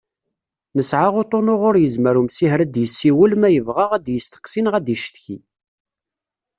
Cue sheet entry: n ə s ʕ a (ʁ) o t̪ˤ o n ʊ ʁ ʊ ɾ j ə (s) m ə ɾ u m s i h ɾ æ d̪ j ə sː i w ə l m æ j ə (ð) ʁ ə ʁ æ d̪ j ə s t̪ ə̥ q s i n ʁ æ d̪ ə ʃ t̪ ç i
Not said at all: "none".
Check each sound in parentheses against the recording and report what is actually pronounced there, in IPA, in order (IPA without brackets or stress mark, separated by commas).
ʁ, z, v